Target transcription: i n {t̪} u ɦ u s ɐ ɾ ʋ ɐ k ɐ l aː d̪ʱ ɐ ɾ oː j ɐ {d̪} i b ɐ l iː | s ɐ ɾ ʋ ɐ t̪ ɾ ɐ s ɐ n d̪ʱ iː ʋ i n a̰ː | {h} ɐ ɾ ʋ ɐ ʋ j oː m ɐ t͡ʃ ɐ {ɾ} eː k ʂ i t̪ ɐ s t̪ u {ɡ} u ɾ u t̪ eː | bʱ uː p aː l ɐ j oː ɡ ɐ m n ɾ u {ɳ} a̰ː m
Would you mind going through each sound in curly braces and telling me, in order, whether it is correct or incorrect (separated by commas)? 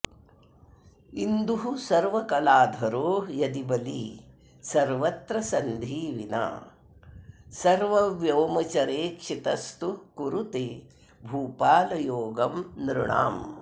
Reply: incorrect, correct, incorrect, correct, incorrect, correct